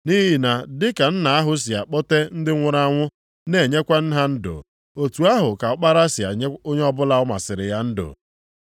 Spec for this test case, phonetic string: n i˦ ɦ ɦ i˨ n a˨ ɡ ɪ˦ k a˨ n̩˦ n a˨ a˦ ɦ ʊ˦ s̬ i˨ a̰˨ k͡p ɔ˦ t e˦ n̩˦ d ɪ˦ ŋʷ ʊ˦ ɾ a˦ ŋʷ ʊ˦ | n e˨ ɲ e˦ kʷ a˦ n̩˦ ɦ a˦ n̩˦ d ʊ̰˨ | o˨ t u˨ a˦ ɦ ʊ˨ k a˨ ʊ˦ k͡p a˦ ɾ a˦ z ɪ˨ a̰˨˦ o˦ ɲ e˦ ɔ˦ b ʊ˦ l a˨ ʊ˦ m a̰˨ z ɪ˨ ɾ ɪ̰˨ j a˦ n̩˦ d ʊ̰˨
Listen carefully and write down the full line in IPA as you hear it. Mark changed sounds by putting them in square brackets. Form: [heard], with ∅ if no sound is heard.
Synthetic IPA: n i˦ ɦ ɦ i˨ n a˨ [d] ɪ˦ k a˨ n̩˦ n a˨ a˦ ɦ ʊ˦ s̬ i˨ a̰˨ k͡p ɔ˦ t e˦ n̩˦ d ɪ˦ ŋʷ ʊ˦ ɾ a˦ ŋʷ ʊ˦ | n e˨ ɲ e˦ kʷ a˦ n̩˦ ɦ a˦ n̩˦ d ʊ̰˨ | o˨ t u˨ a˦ ɦ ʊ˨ k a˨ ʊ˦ k͡p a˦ ɾ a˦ [s] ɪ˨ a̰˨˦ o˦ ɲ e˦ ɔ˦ b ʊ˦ l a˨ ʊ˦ m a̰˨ [s] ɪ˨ ɾ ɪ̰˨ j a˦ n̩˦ d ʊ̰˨